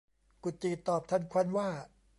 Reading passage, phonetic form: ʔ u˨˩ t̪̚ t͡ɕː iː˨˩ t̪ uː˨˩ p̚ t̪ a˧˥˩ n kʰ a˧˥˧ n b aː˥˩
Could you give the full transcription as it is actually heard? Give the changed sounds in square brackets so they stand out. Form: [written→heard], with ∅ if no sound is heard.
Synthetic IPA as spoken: [ʔ→k] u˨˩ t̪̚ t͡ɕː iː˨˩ t̪ [uː˨˩→ɔː˨˩] p̚ [t̪→t̪ʰ] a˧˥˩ n kʰ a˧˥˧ n [b→w] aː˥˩